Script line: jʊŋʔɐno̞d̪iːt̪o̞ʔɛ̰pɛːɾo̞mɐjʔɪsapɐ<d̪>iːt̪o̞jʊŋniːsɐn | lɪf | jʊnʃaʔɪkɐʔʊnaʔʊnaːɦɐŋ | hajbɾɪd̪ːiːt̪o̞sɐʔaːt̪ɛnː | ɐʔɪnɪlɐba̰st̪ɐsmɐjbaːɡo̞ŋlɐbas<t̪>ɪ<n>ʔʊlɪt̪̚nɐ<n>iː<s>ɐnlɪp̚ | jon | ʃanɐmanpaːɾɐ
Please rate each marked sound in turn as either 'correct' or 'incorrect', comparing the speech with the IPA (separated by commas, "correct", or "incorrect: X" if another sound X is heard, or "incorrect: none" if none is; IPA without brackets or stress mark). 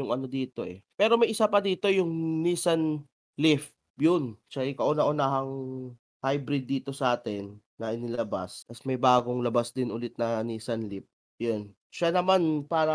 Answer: correct, incorrect: d̪, correct, correct, correct